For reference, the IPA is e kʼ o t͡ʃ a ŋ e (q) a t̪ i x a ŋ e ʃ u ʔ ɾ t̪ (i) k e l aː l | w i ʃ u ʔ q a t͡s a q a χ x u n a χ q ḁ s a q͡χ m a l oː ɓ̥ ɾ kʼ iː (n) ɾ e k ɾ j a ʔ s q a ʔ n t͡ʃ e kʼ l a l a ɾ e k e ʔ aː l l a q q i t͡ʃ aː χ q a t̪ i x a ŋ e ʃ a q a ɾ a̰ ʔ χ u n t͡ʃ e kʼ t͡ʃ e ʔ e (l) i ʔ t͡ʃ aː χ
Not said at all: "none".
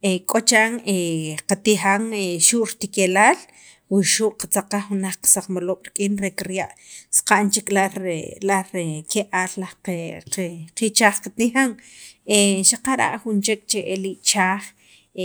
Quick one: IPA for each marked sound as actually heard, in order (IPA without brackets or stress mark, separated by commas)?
q, i, n, l